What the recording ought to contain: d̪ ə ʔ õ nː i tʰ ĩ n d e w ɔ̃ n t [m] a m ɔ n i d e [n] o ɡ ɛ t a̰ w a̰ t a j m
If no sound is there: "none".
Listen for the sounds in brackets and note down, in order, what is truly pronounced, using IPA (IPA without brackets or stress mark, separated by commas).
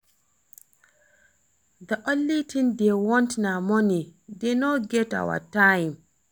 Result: n, n